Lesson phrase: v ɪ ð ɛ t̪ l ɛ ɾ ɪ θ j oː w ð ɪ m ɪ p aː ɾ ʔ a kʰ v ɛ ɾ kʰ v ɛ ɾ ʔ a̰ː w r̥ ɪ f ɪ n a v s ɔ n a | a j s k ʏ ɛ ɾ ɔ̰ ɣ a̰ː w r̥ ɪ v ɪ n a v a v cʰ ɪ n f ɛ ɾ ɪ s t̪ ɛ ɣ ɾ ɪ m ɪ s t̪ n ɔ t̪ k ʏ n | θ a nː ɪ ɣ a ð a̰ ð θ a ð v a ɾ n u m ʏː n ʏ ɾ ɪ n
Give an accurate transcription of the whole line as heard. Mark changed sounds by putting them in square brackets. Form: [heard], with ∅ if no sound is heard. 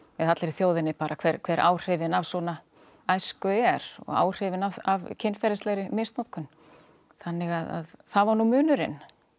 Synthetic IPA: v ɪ ð [a] t̪ l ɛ ɾ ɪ θ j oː w ð ɪ [n] ɪ p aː ɾ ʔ a kʰ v ɛ ɾ kʰ v ɛ ɾ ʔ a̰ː w r̥ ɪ [v] ɪ n a v s ɔ n a | a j s k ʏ ɛ ɾ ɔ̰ ɣ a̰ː w r̥ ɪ v ɪ n a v a v cʰ ɪ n f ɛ ɾ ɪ s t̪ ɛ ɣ ɾ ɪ m ɪ s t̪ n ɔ t̪ k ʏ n | θ a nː ɪ ɣ a ð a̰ ð θ a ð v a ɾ n u m ʏː n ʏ ɾ ɪ n